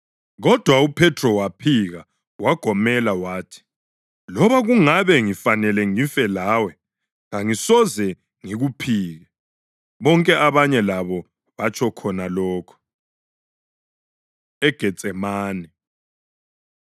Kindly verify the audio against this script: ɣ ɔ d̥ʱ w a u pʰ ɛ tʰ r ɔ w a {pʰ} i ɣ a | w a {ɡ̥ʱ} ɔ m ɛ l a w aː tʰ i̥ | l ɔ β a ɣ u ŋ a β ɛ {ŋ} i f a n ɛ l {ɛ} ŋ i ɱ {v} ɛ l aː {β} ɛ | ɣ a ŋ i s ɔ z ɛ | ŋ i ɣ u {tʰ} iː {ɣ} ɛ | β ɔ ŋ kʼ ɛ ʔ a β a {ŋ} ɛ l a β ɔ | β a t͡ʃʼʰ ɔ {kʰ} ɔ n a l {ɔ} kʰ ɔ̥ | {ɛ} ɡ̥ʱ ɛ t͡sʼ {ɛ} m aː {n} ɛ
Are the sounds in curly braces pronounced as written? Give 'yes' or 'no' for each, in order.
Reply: yes, yes, yes, yes, no, no, no, yes, no, yes, no, yes, yes, yes

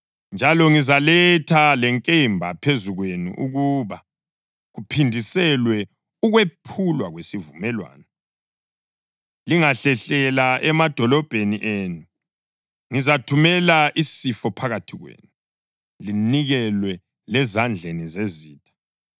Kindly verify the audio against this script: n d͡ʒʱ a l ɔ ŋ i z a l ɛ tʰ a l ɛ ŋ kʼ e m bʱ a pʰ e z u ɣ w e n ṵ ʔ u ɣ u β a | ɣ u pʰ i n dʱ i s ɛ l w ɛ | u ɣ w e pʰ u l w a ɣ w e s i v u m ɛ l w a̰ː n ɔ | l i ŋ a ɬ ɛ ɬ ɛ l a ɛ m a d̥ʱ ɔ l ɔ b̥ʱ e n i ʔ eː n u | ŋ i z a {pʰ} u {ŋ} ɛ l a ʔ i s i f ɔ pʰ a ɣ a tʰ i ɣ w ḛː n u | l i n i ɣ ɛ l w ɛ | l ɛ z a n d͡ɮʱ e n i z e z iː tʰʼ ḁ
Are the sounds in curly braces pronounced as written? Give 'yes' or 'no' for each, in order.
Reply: no, no

